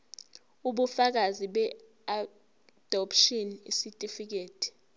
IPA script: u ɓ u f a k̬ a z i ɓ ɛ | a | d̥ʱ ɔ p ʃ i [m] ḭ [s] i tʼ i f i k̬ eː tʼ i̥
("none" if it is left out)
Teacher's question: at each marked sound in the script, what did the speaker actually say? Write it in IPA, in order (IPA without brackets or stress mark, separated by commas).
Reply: n, s